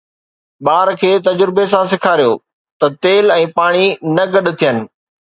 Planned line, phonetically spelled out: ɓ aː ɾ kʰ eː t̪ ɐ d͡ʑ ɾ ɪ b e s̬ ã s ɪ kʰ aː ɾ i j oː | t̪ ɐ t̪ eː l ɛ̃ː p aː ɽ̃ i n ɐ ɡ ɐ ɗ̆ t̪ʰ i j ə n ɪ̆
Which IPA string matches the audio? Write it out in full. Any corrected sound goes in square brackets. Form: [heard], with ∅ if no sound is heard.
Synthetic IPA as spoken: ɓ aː ɾ kʰ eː t̪ ɐ d͡ʑ ɾ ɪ b e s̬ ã s ɪ kʰ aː ɾ i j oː | t̪ ɐ t̪ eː l ɛ̃ː p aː ɽ̃ i n ɐ ɡ ɐ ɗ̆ t̪ʰ i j ə n ɪ̆